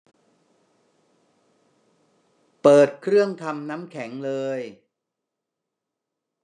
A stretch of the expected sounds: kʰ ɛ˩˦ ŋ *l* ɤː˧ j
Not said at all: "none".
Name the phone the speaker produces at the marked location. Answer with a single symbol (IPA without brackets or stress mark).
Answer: l